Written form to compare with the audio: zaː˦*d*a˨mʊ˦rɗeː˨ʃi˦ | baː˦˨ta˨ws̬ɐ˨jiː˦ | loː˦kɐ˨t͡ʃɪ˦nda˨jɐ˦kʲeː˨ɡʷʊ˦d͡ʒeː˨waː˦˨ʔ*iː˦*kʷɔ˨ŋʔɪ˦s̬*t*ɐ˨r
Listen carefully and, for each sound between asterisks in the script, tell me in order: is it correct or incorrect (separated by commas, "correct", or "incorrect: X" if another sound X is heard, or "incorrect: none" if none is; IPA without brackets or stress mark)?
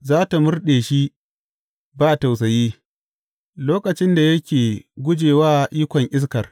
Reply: incorrect: t, correct, incorrect: k